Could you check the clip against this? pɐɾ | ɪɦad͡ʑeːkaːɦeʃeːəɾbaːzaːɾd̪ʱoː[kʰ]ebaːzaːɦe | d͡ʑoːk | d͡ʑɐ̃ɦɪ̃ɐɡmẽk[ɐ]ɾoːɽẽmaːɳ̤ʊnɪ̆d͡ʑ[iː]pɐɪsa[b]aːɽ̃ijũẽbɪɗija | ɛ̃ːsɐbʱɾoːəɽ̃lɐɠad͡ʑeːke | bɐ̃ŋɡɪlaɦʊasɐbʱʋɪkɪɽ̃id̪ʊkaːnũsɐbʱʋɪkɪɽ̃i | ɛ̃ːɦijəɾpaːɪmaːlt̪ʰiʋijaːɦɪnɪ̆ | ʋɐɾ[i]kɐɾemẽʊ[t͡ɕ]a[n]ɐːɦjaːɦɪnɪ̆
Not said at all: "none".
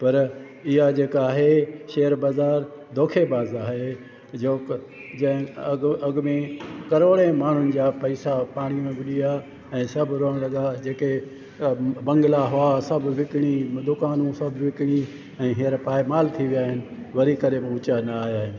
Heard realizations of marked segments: kʰ, ɐ, aː, p, i, t͡ɕ, n

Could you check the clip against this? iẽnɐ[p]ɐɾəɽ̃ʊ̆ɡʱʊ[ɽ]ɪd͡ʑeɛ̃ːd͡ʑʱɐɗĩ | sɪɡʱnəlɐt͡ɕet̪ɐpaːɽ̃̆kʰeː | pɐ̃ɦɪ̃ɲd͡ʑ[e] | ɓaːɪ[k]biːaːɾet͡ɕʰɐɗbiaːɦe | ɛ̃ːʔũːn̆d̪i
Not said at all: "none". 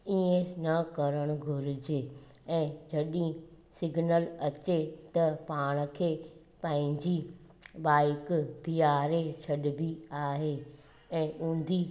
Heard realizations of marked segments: k, ɾ, i, k

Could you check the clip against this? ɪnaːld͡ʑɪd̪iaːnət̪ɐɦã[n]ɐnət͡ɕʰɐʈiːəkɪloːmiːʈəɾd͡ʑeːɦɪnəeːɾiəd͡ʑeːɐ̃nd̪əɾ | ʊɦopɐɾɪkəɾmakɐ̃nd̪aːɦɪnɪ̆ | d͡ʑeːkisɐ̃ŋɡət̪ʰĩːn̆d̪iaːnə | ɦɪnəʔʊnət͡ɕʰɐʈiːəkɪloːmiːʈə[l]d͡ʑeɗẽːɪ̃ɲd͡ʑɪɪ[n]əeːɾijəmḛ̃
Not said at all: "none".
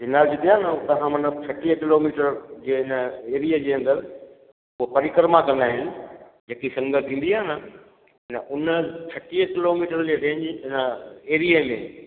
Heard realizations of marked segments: m, ɾ, n

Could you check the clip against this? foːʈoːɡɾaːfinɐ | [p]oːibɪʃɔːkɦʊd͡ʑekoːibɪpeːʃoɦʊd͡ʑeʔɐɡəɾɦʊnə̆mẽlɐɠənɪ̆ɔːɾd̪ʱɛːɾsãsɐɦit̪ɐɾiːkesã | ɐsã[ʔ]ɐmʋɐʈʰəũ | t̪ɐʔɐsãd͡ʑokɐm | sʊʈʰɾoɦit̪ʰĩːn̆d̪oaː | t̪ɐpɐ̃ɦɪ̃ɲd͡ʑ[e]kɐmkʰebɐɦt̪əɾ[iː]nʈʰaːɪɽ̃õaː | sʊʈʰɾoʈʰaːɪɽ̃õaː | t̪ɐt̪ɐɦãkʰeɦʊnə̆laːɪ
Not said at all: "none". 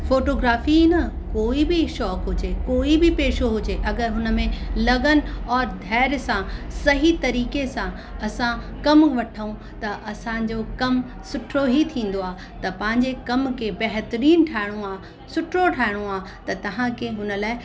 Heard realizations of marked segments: k, k, e, iː

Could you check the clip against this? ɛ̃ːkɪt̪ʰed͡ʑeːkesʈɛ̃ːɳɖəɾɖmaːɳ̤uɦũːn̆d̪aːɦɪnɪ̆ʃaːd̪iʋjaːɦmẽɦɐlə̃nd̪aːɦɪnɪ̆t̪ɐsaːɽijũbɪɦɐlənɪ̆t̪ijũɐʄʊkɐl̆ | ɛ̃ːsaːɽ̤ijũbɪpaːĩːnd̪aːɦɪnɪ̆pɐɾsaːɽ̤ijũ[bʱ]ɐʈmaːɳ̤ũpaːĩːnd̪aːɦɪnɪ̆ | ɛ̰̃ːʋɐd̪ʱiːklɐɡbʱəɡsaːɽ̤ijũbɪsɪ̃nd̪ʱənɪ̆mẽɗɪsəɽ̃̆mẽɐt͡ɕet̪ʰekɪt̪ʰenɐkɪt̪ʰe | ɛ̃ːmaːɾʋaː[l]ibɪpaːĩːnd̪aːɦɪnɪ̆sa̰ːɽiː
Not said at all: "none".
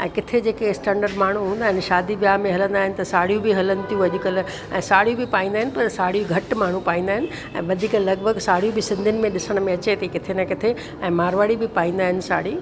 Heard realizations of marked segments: ɡʱ, ɽ

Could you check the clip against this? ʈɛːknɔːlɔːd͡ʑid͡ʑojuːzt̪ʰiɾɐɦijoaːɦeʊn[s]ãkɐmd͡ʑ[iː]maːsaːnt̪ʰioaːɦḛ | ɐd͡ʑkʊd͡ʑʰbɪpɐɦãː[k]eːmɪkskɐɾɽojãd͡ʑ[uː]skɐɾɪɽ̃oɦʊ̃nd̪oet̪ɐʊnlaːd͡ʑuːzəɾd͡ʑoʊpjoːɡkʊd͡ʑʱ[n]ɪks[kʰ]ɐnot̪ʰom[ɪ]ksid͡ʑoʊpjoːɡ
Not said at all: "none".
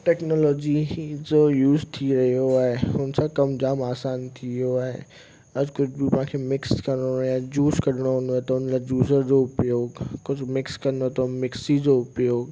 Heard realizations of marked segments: s, aː, kʰ, uː, m, k, ɪ

